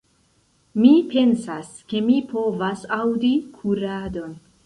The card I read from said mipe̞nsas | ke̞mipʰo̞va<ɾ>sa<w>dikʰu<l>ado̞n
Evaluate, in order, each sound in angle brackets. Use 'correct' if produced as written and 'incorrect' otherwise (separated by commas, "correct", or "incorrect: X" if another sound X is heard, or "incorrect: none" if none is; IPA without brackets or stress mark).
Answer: incorrect: none, correct, incorrect: ɾ